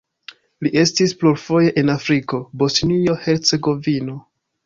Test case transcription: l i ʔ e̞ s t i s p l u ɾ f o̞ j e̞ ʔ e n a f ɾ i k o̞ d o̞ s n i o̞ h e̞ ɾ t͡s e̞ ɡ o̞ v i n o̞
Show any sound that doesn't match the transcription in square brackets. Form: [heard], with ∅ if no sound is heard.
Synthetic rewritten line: l i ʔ e̞ s t i s p l u ɾ f o̞ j e̞ ʔ e n a f ɾ i k o̞ [b] o̞ s n i o̞ h e̞ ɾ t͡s e̞ ɡ o̞ v i n o̞